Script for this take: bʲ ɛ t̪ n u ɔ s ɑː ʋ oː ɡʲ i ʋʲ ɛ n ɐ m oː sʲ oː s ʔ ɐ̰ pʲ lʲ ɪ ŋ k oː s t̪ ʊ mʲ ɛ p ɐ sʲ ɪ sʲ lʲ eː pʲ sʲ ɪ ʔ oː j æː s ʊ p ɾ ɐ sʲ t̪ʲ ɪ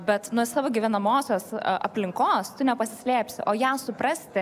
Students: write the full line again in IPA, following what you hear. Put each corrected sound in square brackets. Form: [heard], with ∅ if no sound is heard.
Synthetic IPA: bʲ ɛ t̪ n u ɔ s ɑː ʋ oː ɡʲ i ʋʲ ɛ n ɐ m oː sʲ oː s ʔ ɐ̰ pʲ lʲ ɪ ŋ k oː s t̪ ʊ [nʲ] ɛ p ɐ sʲ ɪ sʲ lʲ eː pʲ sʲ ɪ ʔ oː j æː s ʊ p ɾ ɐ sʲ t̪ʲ ɪ